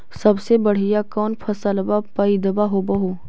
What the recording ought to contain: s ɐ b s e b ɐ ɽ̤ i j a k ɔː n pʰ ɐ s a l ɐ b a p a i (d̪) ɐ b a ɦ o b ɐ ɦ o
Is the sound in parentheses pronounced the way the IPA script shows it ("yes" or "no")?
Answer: yes